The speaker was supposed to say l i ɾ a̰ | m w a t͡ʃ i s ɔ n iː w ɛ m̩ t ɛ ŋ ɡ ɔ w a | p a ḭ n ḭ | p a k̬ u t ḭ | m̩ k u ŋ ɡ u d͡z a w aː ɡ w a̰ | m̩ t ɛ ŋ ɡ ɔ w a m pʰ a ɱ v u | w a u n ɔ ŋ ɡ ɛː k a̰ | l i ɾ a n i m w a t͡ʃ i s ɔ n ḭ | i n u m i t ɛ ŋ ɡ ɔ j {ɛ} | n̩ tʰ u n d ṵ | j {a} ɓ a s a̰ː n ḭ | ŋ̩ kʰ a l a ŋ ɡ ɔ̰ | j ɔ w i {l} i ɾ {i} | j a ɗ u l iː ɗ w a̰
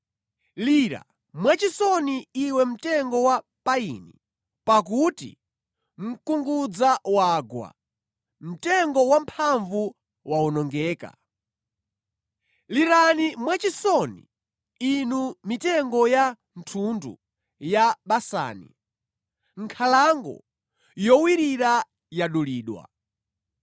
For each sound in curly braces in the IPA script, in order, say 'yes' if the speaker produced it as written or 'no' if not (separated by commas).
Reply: no, yes, no, no